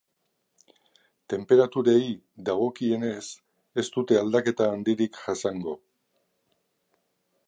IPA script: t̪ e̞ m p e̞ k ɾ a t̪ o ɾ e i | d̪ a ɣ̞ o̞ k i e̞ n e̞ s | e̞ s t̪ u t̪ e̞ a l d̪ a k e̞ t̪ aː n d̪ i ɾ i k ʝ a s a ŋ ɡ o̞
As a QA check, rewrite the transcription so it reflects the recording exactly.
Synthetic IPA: t̪ e̞ m p e̞ ɾ a t̪ u ɾ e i | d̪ a ɣ̞ o̞ k i e̞ n e̞ s | e̞ s t̪ u t̪ e̞ a l d̪ a k e̞ t̪ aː n d̪ i ɾ i k ʝ a s a ŋ ɡ o̞